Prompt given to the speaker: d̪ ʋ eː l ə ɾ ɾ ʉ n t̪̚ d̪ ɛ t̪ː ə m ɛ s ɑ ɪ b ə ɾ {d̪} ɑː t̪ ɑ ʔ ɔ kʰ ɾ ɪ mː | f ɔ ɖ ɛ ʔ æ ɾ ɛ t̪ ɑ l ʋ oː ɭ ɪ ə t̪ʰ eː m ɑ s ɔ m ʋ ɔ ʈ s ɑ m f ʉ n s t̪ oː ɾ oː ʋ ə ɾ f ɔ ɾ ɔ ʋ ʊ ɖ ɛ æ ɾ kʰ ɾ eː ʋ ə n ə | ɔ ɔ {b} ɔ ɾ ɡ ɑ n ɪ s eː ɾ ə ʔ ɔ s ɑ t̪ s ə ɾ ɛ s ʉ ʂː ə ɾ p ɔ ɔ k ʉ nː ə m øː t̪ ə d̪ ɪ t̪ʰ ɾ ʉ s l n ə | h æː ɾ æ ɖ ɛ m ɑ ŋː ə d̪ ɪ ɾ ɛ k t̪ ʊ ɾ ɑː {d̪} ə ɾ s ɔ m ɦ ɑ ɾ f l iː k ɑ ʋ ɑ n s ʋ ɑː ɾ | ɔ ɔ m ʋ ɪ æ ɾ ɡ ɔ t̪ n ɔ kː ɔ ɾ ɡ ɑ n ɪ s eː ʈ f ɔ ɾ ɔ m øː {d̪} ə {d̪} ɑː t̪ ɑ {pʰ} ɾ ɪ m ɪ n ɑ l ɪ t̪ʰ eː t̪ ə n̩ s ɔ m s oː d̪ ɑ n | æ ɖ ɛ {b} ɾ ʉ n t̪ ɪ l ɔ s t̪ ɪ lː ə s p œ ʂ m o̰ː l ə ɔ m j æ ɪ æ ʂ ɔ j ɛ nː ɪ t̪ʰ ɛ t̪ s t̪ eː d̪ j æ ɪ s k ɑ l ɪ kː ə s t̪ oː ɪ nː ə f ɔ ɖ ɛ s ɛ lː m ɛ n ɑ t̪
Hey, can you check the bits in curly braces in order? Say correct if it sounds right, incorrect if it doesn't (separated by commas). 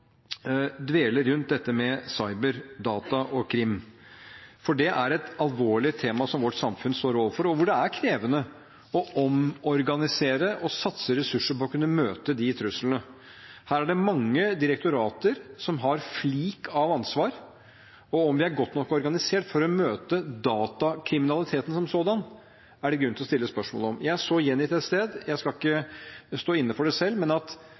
correct, incorrect, incorrect, incorrect, correct, incorrect, incorrect